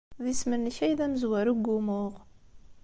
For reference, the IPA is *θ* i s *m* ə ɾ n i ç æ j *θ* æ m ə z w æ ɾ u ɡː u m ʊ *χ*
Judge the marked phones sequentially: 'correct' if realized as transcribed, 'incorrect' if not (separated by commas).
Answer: incorrect, correct, incorrect, incorrect